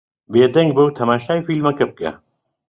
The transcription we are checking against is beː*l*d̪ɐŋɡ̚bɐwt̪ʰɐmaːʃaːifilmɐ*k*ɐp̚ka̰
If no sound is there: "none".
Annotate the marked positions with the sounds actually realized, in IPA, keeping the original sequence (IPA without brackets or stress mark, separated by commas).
none, k